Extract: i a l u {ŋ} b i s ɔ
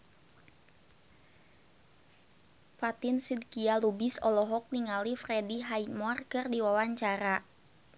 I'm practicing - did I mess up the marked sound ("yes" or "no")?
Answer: yes